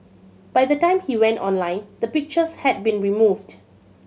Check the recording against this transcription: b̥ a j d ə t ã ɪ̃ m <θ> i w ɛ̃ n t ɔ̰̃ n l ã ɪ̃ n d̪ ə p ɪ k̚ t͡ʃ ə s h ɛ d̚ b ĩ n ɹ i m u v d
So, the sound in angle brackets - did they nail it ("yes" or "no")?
no